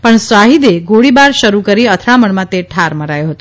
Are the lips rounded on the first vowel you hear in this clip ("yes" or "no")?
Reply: no